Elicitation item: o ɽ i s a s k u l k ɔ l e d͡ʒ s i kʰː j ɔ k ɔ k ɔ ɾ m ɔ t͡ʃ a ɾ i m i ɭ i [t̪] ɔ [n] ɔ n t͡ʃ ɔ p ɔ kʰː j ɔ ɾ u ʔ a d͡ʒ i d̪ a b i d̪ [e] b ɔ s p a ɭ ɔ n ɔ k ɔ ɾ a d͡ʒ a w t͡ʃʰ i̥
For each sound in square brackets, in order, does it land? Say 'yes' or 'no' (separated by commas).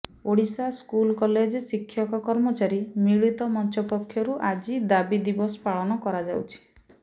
yes, no, no